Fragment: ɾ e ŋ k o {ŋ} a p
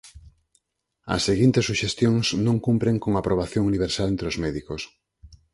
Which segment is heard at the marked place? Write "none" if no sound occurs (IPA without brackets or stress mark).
ŋ